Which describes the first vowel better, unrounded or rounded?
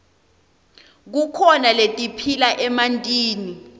rounded